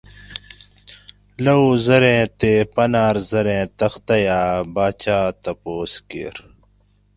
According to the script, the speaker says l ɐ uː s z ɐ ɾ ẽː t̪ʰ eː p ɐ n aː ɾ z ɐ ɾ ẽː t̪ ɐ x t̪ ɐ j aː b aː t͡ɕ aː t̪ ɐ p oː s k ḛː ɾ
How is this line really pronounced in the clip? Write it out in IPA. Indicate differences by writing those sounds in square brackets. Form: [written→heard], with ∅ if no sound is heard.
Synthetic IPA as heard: l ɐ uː [s→∅] z ɐ ɾ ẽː [t̪ʰ→t̪] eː p ɐ n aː ɾ z ɐ ɾ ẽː t̪ ɐ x t̪ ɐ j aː b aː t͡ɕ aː t̪ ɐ p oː s k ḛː ɾ